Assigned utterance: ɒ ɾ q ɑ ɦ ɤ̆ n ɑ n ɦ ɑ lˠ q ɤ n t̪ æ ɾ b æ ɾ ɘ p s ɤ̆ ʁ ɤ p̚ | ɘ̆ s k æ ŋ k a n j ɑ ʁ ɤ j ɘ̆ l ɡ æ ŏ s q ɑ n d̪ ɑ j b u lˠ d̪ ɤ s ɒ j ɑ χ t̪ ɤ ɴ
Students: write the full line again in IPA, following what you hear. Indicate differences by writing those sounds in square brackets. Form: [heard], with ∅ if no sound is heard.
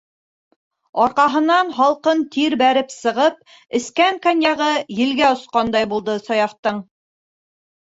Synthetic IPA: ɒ ɾ q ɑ ɦ ɤ̆ n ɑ n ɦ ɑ lˠ q ɤ n t̪ [i] ɾ b æ ɾ ɘ p s ɤ̆ ʁ ɤ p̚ | ɘ̆ s k æ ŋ k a n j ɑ ʁ ɤ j ɘ̆ l ɡ æ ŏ s q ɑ n d̪ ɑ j b u lˠ d̪ ɤ s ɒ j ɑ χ t̪ ɤ ɴ